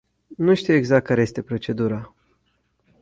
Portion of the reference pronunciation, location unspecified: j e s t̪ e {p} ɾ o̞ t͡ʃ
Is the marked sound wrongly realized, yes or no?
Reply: no